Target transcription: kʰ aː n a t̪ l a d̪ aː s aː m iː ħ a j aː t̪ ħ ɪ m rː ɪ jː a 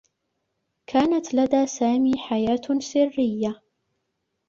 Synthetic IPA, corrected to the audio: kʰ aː n a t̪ l a d̪ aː s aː m iː ħ a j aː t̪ s ɪ rː ɪ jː a